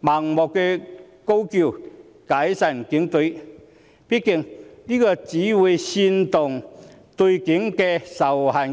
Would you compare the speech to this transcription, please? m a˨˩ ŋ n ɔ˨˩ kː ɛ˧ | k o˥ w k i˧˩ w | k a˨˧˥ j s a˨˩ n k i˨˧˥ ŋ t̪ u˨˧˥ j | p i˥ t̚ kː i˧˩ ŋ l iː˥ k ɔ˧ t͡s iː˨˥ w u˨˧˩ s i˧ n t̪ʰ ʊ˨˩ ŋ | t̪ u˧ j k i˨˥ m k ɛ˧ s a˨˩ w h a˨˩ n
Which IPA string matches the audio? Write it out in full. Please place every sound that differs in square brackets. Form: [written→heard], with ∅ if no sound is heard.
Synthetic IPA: m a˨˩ ŋ [n→m] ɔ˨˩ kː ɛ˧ | k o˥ w k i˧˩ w | k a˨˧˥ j s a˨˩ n k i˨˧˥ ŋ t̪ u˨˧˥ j | p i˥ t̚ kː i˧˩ ŋ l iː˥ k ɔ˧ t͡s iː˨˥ w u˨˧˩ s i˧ n [t̪ʰ→t̪] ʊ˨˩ ŋ | t̪ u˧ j k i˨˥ [m→ŋ] k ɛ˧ s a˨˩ w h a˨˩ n